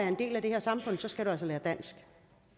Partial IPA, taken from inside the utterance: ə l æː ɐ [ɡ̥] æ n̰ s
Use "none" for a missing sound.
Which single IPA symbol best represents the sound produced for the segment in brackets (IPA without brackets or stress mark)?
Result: d̥